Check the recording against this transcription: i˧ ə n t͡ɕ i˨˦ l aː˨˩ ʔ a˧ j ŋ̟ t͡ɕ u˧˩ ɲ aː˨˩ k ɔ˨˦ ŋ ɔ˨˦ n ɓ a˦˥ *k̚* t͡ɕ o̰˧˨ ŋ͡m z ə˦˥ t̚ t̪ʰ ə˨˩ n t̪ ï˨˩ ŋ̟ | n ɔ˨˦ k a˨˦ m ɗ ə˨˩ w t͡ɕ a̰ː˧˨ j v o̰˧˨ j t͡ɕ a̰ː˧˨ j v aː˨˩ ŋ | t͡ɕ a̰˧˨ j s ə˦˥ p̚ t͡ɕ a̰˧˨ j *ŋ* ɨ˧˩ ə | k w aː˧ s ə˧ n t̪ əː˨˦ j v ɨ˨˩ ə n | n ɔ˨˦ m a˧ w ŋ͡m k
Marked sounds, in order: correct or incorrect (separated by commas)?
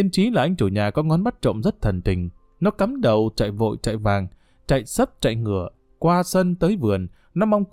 incorrect, correct